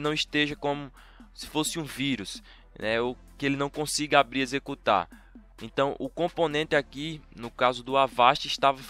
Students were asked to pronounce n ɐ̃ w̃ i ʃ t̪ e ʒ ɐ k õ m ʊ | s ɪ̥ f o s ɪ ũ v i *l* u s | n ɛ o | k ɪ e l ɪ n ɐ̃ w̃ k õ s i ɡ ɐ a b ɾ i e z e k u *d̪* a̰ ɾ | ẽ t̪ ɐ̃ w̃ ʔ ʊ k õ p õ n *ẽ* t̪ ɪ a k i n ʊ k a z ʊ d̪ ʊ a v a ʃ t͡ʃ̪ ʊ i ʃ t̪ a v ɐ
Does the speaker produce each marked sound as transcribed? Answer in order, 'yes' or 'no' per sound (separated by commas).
no, no, yes